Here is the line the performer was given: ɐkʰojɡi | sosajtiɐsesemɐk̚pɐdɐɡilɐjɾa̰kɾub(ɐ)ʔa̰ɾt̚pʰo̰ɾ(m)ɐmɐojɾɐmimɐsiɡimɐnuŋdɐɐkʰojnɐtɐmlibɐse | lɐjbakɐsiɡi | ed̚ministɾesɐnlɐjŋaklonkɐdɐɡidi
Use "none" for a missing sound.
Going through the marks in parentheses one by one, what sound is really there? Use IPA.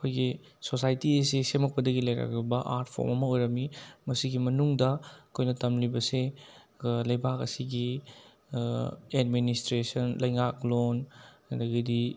ɐ, m

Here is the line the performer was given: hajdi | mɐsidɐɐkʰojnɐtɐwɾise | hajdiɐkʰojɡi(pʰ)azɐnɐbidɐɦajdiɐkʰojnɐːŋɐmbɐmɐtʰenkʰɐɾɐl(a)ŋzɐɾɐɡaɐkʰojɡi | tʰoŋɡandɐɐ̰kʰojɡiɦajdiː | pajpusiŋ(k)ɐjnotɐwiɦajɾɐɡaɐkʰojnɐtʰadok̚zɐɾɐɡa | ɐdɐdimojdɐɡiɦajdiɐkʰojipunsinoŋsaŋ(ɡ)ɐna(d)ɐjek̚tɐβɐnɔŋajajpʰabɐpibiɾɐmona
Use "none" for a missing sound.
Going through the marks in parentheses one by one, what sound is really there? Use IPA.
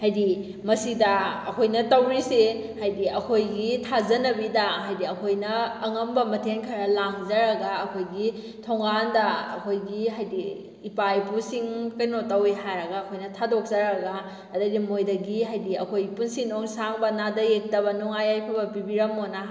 tʰ, a, k, b, d

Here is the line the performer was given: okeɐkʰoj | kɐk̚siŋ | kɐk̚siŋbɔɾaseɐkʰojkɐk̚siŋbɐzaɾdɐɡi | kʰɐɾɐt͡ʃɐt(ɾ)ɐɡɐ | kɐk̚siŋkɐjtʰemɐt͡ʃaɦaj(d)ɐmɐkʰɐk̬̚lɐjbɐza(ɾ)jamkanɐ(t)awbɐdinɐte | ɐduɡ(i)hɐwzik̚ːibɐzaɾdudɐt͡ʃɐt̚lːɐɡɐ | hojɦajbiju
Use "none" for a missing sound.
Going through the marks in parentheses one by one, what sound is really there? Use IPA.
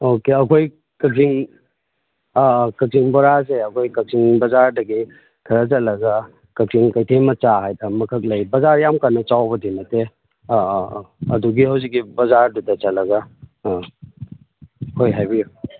l, d, ɾ, t͡ʃ, i

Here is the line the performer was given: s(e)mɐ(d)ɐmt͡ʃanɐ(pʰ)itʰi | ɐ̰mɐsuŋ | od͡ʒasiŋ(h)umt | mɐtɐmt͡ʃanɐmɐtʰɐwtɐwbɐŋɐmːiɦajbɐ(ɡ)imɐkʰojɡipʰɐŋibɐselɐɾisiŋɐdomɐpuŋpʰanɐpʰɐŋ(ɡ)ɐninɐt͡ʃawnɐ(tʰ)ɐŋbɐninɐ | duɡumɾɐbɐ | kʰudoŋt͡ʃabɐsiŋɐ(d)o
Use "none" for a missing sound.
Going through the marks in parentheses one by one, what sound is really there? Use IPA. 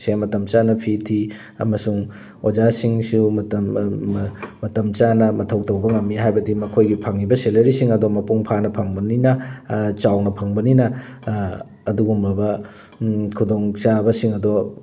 e, t, pʰ, s, d, b, pʰ, d

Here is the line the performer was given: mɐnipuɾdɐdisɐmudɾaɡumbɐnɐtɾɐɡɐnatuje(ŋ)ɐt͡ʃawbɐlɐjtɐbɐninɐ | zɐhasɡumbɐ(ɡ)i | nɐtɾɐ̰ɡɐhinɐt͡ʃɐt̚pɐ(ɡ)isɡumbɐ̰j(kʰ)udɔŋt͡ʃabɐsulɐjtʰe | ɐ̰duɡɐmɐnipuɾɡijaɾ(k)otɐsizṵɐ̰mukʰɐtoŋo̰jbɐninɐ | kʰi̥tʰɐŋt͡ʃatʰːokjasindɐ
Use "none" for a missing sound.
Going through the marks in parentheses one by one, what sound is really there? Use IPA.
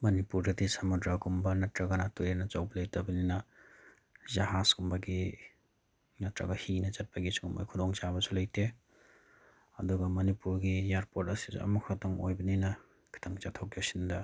n, ɡ, ɡ, kʰ, p

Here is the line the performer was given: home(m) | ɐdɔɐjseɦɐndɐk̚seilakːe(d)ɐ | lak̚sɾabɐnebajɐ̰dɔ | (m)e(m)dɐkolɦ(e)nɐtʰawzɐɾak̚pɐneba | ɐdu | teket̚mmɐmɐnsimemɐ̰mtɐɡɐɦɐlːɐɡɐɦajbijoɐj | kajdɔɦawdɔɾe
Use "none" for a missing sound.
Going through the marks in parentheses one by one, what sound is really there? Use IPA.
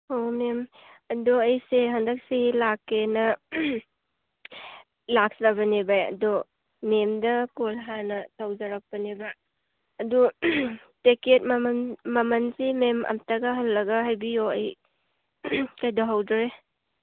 m, n, m, m, a

